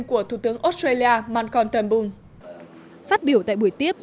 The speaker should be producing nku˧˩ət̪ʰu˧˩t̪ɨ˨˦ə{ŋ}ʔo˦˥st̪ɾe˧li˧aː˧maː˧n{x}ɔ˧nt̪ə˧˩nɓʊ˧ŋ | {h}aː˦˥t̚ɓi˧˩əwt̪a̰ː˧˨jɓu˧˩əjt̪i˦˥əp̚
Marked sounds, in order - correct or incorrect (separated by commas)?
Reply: correct, incorrect, incorrect